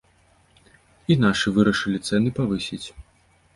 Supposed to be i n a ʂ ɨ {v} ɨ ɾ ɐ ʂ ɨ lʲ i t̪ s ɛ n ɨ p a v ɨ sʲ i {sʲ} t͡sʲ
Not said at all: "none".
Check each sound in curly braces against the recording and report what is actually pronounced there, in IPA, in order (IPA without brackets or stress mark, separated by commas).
v, none